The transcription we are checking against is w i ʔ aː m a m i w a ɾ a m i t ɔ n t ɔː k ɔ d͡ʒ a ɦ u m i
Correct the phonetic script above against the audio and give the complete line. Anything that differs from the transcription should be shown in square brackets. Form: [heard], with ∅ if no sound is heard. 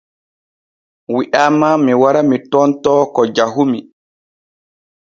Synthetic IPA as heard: w i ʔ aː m a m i w a ɾ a m i t ɔ n t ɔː k ɔ d͡ʒ a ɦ u m i